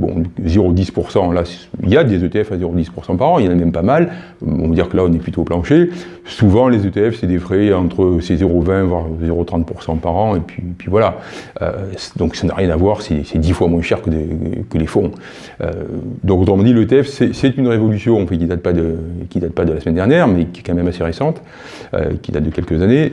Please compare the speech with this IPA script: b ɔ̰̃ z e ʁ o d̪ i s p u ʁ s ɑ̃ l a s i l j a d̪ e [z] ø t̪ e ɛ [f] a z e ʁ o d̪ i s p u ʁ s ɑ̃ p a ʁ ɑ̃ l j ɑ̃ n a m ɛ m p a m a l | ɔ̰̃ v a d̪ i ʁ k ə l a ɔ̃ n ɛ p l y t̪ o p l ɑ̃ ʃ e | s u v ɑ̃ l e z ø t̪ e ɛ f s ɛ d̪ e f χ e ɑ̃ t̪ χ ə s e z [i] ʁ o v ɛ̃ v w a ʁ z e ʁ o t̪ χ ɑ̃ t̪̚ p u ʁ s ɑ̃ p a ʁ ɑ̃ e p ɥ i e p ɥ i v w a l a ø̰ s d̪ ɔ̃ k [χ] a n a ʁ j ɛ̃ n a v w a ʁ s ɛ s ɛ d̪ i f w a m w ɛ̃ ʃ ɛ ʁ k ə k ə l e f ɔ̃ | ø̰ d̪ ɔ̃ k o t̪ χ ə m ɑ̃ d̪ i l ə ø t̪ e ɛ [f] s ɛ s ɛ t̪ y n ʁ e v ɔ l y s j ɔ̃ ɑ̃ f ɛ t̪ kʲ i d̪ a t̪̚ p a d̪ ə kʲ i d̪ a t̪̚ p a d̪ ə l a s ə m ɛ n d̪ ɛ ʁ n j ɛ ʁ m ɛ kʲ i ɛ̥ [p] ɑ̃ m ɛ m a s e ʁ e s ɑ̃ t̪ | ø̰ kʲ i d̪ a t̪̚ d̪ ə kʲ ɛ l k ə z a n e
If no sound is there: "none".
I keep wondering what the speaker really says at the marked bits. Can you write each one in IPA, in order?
z, f, e, s, f, k

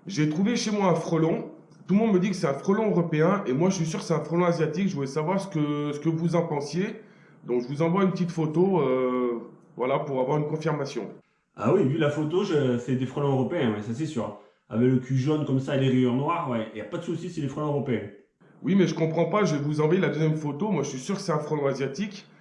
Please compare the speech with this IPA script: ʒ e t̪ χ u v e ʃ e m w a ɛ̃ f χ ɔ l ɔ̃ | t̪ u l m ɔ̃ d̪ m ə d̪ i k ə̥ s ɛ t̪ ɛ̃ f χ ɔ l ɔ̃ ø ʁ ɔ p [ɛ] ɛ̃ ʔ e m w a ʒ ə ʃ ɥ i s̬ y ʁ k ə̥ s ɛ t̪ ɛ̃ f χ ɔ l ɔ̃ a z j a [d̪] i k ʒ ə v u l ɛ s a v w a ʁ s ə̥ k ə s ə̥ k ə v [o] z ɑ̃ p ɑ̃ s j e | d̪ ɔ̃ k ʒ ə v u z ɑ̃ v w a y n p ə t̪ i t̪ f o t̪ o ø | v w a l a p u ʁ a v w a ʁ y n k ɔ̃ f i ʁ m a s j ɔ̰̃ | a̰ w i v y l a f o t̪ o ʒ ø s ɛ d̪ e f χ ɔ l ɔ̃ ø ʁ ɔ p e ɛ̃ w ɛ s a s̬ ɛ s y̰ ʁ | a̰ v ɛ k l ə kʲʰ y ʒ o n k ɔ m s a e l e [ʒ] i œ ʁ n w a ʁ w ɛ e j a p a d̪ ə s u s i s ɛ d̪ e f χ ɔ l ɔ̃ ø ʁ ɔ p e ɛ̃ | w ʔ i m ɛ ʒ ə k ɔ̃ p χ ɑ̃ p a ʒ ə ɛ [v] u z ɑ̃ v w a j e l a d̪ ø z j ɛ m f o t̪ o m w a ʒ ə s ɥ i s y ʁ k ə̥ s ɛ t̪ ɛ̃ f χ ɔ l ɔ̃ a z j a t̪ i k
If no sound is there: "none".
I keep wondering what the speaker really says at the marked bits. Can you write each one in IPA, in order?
e, t̪, u, ʁ, v

